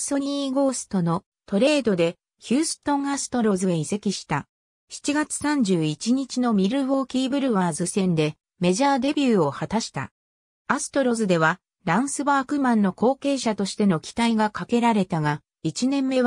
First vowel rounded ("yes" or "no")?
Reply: yes